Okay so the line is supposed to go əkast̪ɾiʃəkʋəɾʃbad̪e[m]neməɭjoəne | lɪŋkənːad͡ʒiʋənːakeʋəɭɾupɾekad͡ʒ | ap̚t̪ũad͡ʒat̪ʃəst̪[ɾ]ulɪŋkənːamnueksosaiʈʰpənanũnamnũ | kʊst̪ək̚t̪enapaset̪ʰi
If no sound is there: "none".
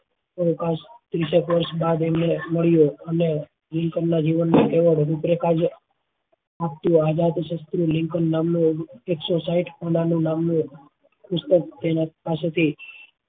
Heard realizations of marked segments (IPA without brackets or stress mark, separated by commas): m, ɾ